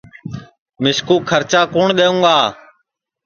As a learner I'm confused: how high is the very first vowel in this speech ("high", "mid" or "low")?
high